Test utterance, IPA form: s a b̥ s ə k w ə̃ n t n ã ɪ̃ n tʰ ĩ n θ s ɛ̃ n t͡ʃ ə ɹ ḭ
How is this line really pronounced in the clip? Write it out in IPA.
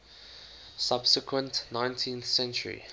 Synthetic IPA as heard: s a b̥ s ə k w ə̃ n t n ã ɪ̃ n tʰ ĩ n θ s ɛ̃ n t͡ʃ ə ɹ ḭ